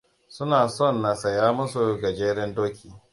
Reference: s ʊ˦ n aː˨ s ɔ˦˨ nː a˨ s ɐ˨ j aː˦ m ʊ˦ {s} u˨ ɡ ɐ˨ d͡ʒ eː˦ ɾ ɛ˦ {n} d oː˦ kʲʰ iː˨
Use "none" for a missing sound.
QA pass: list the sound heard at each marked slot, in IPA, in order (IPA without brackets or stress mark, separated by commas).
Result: s, n